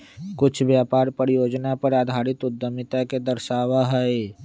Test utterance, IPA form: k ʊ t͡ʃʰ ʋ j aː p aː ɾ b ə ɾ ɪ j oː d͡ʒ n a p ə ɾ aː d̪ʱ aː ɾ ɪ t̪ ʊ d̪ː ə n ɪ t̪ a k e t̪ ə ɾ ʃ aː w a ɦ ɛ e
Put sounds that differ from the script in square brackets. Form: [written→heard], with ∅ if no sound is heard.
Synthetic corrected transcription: k ʊ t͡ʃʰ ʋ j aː p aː ɾ [b→p] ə ɾ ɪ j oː d͡ʒ n a p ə ɾ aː d̪ʱ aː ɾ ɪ t̪ ʊ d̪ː ə [n→m] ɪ t̪ a k e [t̪→d̪] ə ɾ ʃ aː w a ɦ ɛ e